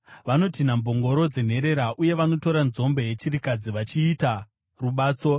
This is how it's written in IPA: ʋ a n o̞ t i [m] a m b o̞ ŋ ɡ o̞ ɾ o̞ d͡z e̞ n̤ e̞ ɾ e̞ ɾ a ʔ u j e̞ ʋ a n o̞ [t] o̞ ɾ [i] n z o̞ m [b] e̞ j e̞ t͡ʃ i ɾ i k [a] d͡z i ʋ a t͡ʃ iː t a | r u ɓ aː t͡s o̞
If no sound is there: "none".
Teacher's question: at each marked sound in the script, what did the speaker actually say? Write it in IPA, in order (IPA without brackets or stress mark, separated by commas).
n, t, a, b, a